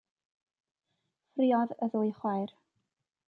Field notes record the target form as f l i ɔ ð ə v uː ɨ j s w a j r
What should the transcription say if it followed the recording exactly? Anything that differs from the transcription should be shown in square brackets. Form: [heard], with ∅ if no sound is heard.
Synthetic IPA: f [r] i ɔ ð ə [ð] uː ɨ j [χ] w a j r